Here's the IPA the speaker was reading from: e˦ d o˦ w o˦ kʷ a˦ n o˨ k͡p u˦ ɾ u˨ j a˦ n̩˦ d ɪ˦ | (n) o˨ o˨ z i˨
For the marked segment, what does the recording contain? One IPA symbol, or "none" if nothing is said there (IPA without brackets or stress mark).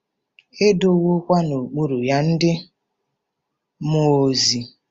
m